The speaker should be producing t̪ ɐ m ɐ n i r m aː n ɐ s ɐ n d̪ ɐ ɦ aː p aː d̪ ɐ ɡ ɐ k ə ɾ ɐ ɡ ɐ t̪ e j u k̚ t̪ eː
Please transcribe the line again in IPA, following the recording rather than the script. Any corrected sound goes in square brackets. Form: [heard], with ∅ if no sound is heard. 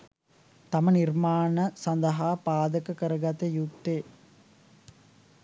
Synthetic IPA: t̪ ɐ m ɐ n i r m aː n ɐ s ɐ n d̪ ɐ ɦ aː p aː d̪ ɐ [k] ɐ k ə ɾ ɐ ɡ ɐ t̪ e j u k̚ t̪ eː